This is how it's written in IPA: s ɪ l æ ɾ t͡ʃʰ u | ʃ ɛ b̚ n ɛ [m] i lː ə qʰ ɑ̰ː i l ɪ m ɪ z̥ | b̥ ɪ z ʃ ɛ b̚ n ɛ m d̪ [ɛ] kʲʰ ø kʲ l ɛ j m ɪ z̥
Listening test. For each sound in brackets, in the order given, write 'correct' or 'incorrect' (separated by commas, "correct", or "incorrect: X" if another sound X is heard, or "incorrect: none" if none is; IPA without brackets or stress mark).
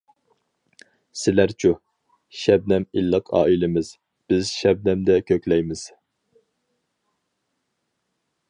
correct, correct